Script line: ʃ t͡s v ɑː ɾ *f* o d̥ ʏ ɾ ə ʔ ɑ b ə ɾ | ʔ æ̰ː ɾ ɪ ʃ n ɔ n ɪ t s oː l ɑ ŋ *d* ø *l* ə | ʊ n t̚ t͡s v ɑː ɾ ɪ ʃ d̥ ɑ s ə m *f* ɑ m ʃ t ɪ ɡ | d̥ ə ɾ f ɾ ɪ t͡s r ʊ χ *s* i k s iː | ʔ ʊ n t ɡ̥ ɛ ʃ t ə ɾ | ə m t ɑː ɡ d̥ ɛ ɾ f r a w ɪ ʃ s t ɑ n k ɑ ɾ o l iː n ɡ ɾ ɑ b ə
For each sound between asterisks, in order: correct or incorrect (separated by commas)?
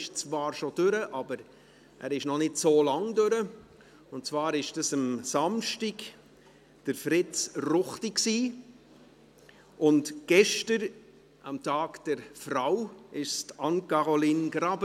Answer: incorrect, correct, incorrect, incorrect, incorrect